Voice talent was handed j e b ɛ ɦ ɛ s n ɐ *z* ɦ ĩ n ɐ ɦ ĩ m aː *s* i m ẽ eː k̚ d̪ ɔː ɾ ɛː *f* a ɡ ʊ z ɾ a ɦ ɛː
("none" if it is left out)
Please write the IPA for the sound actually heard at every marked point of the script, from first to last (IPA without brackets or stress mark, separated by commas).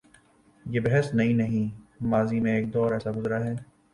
none, z, s